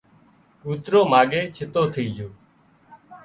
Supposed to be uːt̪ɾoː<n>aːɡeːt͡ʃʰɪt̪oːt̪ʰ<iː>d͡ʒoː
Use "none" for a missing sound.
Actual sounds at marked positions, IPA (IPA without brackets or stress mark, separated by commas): m, iː